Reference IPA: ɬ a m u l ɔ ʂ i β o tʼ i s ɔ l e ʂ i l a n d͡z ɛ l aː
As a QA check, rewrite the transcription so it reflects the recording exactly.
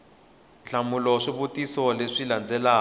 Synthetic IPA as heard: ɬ a m u l ɔ ʂ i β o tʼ i s ɔ l e ʂ i l a n d͡z ɛ l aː